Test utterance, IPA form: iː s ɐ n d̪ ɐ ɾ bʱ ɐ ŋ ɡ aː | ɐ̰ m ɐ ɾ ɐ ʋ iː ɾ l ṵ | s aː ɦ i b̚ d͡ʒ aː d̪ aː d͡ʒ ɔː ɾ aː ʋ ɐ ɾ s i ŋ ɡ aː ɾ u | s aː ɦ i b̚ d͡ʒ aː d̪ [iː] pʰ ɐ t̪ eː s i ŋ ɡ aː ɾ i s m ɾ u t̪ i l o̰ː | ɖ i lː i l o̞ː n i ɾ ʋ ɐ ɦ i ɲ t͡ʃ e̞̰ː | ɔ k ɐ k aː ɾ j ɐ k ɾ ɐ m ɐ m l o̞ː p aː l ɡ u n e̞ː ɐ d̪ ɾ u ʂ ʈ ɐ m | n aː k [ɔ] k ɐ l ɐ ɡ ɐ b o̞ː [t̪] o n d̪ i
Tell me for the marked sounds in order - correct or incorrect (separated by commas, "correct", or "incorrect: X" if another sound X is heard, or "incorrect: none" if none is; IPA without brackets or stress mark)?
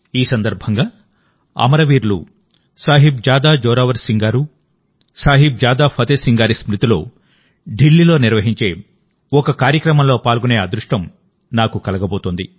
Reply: incorrect: aː, incorrect: u, correct